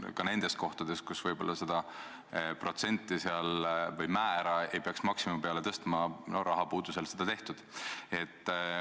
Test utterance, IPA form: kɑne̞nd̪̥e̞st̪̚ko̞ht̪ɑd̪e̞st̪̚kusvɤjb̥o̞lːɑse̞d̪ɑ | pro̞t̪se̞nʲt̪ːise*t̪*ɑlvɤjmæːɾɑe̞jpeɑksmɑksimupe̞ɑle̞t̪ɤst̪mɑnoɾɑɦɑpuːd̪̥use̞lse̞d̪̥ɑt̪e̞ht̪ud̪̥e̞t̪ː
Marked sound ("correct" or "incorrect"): incorrect